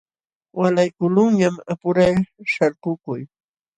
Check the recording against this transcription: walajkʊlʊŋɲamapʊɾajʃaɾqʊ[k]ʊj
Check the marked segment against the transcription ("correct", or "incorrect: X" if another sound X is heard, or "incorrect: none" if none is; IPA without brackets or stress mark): correct